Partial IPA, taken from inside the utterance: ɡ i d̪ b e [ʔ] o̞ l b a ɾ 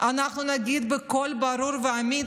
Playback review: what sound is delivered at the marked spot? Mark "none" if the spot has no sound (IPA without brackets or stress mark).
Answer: k